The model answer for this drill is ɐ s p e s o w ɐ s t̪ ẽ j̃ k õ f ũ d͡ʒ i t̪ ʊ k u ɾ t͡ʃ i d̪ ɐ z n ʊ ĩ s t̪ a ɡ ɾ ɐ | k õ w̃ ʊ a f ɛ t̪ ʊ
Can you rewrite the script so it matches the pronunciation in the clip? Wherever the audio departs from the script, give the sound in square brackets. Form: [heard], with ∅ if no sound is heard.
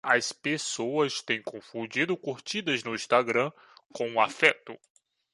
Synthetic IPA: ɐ s p e s o w ɐ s t̪ ẽ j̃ k õ f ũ d͡ʒ i [d̪] ʊ k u ɾ t͡ʃ i d̪ ɐ z n ʊ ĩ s t̪ a ɡ ɾ [ɐ̃] | k õ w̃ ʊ a f ɛ t̪ ʊ